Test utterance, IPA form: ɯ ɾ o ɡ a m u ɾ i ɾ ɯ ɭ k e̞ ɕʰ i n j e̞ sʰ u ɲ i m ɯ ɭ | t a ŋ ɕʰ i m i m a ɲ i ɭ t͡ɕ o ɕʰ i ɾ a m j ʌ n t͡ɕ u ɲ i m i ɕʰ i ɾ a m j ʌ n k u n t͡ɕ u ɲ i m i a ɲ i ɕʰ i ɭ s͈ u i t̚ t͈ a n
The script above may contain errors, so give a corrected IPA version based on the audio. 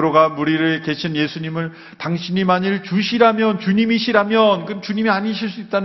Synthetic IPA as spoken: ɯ ɾ o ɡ a m u ɾ i ɾ ɯ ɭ k e̞ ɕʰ i n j e̞ sʰ u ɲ i m ɯ ɭ | t a ŋ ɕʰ i ɲ i m a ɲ i ɭ t͡ɕ u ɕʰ i ɾ a m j ʌ n t͡ɕ u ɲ i m i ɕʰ i ɾ a m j ʌ n k ɯ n t͡ɕ u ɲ i m i a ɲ i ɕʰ i ɭ s͈ u i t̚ t͈ a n